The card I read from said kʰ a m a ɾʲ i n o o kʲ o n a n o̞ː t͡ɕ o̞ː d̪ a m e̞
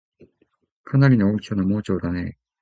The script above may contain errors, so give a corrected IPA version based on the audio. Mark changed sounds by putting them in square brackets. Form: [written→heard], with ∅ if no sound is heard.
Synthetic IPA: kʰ a [m→n] a ɾʲ i n o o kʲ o n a [n→m] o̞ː t͡ɕ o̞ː d̪ a [m→n] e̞